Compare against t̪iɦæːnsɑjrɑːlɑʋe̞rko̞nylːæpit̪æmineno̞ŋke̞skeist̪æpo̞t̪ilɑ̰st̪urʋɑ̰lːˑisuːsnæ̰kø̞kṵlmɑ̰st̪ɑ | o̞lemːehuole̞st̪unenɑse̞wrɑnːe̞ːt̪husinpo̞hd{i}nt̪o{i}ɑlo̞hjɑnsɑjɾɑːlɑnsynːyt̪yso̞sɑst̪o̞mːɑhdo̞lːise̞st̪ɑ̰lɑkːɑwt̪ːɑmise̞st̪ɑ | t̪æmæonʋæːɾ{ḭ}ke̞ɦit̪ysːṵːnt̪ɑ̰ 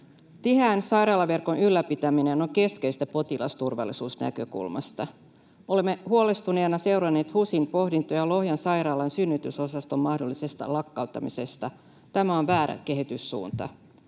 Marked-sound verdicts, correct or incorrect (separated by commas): correct, incorrect, incorrect